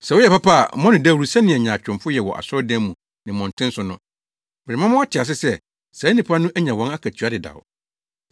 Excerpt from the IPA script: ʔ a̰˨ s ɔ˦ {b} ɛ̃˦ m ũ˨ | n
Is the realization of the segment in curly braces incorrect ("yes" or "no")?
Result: yes